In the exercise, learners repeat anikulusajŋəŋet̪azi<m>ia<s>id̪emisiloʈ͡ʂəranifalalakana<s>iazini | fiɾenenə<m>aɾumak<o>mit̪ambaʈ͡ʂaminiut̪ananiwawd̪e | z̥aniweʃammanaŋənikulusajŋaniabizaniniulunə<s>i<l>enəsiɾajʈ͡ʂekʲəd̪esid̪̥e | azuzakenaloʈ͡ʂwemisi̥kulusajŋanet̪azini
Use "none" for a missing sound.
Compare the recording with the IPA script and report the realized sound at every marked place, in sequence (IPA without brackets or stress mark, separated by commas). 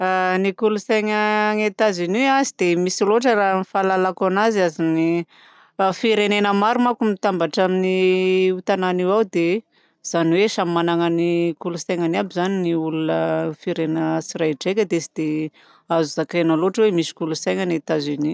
n, z, z, m, u, f, ɾ